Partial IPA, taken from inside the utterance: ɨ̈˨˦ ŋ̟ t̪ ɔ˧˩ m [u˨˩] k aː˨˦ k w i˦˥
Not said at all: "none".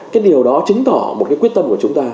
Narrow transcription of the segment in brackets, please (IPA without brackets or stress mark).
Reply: o˨˩